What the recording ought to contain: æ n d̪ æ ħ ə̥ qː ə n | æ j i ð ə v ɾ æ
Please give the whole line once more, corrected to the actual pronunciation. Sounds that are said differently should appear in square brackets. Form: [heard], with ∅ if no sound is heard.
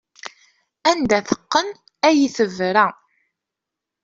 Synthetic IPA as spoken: æ n d̪ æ [θ] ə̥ qː ə n | æ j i [θ] ə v ɾ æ